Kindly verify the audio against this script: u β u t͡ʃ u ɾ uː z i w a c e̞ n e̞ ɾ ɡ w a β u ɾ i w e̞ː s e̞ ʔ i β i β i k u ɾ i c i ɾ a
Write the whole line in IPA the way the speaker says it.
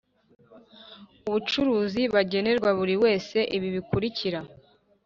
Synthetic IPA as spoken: u β u t͡ʃ u ɾ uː z i β a ɟ e̞ n e̞ ɾ ɡ w a β u ɾ i w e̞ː s e̞ ʔ i β i β i k u ɾ i c i ɾ a